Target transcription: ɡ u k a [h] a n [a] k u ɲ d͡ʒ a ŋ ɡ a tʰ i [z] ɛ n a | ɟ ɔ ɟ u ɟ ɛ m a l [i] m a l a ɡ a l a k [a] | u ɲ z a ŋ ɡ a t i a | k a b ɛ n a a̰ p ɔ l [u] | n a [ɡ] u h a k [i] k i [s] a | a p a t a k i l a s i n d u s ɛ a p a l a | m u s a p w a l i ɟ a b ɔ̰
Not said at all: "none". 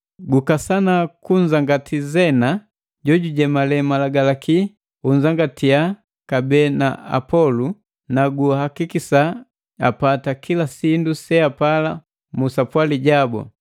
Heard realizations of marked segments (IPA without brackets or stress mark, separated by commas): s, a, z, ɛ, i, u, ɡ, i, s